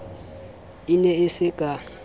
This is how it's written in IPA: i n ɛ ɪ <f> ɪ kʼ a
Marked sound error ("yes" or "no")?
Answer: yes